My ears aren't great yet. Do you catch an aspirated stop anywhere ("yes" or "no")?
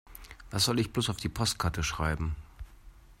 yes